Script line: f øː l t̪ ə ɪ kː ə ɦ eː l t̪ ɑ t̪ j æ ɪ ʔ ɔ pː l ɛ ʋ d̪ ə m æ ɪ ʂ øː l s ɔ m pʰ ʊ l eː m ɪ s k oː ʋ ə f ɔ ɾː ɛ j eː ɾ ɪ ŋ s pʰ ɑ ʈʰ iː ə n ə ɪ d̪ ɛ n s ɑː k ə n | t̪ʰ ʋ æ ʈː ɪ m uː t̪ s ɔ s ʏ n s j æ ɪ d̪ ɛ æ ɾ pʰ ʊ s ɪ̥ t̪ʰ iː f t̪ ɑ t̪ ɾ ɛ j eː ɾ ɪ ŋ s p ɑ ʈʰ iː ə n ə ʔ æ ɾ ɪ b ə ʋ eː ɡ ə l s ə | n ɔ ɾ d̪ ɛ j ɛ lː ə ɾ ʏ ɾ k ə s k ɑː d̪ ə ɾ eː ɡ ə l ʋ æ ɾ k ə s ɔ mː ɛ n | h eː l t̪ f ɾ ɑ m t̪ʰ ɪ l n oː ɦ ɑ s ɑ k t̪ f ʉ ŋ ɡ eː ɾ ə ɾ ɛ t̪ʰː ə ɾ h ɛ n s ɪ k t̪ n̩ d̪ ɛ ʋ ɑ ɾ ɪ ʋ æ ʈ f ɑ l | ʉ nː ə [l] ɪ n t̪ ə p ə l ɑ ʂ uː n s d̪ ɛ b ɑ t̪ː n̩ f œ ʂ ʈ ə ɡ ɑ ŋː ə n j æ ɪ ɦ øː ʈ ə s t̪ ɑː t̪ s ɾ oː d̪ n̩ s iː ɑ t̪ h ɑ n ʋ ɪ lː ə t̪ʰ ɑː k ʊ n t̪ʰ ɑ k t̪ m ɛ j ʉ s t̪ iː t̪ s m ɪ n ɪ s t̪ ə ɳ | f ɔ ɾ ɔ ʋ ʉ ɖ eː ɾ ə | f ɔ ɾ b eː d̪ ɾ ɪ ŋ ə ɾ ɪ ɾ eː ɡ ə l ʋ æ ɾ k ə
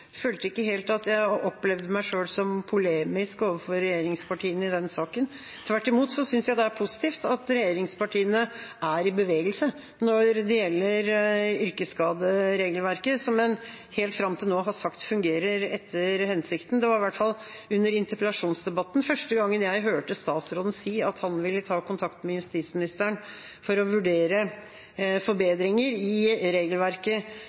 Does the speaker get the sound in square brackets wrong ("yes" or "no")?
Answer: yes